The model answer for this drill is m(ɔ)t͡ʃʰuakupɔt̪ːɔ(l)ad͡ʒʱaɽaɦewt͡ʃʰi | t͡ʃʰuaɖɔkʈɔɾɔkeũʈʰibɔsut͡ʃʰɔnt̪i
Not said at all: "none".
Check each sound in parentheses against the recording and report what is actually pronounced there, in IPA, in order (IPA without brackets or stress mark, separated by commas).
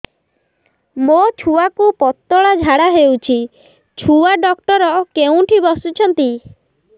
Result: o, ɭ